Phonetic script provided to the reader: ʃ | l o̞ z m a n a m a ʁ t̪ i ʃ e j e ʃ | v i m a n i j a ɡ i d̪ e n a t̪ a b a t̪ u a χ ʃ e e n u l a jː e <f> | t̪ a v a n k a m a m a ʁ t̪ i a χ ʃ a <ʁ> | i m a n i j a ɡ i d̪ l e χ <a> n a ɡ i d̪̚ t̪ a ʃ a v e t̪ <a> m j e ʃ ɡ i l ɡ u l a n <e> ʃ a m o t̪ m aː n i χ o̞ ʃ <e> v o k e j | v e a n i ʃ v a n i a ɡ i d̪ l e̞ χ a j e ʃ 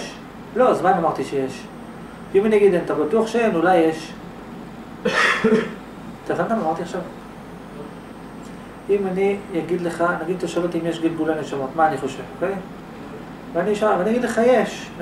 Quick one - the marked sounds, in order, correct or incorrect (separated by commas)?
incorrect, incorrect, correct, incorrect, correct, correct